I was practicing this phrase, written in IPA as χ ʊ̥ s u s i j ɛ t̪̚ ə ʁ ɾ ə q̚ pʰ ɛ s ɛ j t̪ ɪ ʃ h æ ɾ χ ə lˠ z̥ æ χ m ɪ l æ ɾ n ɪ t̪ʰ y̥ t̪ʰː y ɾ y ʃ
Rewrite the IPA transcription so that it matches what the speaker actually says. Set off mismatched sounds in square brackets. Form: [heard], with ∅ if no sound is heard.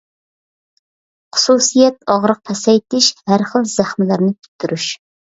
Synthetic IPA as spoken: χ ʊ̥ s u s i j ɛ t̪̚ [ɑ] ʁ ɾ ə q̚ pʰ ɛ s ɛ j t̪ ɪ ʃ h æ ɾ χ ə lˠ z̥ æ χ m ɪ l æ ɾ n ɪ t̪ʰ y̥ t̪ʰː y ɾ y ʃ